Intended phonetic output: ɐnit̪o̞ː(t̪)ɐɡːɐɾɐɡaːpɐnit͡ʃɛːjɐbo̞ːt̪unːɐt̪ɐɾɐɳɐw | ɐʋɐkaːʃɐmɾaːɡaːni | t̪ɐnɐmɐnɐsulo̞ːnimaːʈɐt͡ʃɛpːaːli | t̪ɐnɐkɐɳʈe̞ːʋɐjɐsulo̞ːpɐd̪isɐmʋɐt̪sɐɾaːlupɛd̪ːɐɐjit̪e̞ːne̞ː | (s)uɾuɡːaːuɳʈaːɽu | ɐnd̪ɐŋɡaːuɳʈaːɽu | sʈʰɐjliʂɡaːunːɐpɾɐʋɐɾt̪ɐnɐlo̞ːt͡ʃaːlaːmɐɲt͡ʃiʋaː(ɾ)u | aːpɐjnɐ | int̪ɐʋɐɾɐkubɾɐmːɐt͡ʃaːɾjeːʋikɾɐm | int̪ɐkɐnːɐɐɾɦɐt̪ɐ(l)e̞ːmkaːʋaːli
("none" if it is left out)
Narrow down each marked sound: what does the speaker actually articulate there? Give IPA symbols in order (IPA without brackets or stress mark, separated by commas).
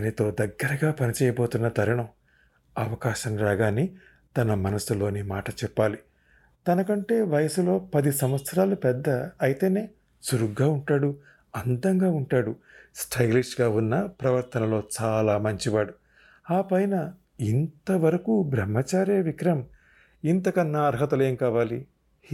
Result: d̪, s, ɽ, l